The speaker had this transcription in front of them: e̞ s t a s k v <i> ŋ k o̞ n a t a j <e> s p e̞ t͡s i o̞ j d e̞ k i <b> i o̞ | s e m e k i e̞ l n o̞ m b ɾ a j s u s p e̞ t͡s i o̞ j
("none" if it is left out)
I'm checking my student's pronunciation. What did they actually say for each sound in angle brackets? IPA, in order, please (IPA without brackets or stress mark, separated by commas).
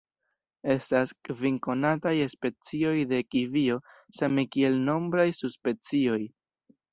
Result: i, e, v